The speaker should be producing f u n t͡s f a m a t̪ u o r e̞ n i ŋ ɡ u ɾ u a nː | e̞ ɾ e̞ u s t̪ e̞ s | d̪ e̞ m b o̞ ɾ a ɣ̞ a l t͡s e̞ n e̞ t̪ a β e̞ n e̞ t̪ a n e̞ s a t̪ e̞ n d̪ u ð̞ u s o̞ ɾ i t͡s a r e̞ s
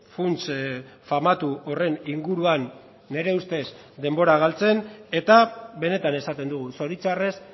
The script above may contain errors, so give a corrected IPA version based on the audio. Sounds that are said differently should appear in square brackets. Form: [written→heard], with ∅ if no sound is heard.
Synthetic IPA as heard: f u n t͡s f a m a t̪ u o r e̞ n i ŋ ɡ u ɾ u a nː | e̞ ɾ e̞ u s t̪ e̞ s | d̪ e̞ m b o̞ ɾ a ɣ̞ a l t͡s e̞ n e̞ t̪ a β e̞ n e̞ t̪ a n e̞ s a t̪ e̞ n d̪ u [ð̞→ɣ̞] u s o̞ ɾ i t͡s a r e̞ s